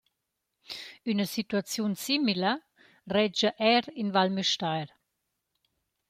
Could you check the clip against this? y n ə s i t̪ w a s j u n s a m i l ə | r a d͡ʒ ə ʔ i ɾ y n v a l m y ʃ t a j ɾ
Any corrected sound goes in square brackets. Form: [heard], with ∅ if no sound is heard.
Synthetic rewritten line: y n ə s i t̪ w a [t͡s] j u n s [i] m i l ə | r [ɛ] d͡ʒ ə ʔ [ɛ] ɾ [i] n v a l m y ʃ t a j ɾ